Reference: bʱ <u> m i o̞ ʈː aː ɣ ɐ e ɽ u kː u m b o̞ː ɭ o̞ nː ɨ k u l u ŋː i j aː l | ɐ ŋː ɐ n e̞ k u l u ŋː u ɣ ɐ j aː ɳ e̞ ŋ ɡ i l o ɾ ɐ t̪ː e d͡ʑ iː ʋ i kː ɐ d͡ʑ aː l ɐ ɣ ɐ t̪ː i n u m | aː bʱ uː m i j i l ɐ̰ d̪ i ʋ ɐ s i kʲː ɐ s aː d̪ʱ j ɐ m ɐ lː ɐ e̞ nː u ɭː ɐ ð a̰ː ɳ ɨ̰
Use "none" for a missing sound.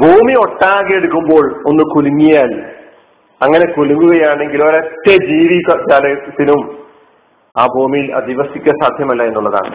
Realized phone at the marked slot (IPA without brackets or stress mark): uː